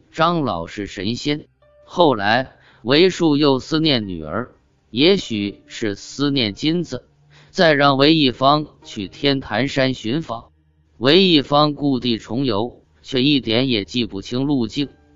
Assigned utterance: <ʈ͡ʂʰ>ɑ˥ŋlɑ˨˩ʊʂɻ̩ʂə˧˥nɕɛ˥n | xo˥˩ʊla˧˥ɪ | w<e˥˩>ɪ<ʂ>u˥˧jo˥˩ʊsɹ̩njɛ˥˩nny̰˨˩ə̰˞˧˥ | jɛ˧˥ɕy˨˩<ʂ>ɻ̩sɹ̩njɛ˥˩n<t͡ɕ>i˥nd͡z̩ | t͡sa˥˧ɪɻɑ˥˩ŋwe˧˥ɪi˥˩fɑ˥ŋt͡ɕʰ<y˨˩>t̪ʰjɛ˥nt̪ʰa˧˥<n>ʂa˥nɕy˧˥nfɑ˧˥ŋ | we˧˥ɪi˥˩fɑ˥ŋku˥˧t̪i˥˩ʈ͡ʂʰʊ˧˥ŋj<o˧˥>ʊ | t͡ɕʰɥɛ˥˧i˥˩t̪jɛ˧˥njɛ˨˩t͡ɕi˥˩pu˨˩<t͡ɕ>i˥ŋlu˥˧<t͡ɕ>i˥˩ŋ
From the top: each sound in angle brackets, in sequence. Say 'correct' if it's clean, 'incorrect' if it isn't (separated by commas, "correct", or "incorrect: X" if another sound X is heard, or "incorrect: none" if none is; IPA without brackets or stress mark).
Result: incorrect: ʈ͡ʂ, incorrect: e˧˥, correct, correct, correct, correct, correct, correct, incorrect: t͡ɕʰ, correct